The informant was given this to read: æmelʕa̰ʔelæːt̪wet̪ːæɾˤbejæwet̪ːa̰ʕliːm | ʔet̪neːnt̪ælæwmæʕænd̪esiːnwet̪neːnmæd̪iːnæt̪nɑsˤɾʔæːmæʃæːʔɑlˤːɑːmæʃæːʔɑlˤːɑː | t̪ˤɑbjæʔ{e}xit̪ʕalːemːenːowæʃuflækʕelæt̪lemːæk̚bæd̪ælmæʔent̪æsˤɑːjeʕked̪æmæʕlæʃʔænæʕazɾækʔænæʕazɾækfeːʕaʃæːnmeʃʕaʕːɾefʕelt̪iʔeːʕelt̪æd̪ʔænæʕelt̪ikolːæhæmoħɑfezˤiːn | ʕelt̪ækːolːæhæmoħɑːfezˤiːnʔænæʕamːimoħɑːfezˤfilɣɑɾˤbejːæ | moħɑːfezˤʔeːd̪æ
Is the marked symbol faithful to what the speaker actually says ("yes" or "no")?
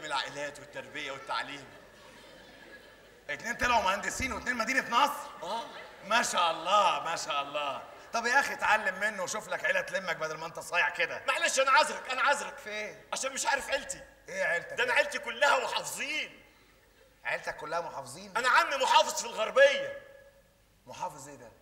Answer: no